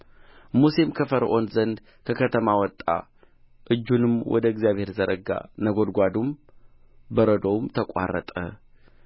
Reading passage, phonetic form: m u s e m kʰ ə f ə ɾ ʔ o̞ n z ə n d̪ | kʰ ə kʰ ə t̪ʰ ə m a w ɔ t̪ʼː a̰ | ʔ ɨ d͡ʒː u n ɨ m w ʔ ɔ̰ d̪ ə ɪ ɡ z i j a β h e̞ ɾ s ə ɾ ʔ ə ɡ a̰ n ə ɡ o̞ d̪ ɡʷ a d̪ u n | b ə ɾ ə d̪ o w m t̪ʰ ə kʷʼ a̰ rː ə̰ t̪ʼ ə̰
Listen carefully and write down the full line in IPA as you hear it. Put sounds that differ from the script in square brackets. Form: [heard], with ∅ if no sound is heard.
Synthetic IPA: m u s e m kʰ ə f ə ɾ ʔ o̞ n z ə n d̪ | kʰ ə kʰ ə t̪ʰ ə m a w ɔ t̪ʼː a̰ | ʔ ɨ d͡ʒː u n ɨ m w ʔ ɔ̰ d̪ ə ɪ ɡ z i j a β h e̞ ɾ [z] ə ɾ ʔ ə ɡ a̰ n ə ɡ o̞ d̪ ɡʷ a d̪ u [m] | b ə ɾ ə d̪ o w m t̪ʰ ə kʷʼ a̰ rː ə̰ t̪ʼ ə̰